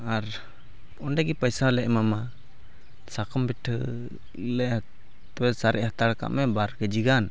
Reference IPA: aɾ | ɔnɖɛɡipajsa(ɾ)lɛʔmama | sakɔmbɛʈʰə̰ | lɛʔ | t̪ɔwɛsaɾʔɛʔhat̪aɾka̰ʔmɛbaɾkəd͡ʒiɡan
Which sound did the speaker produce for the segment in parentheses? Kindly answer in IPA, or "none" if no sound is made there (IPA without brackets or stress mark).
none